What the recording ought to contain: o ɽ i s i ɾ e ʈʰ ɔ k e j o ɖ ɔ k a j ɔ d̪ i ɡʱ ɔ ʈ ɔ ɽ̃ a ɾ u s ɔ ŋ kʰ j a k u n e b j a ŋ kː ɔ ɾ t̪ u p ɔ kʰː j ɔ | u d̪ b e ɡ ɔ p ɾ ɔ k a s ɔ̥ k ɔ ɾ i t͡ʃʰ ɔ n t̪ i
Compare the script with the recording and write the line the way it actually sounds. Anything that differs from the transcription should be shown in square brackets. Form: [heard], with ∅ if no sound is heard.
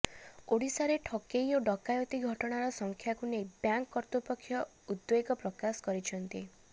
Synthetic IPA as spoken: o ɽ i s [a] ɾ e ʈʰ ɔ k e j o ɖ ɔ k a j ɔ [t̪] i ɡʱ ɔ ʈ ɔ ɽ̃ a ɾ [ɔ] s ɔ ŋ kʰ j a k u n e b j a ŋ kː ɔ ɾ t̪ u p ɔ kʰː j ɔ | u d̪ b e ɡ ɔ p ɾ ɔ k a s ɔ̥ k ɔ ɾ i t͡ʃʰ ɔ n t̪ i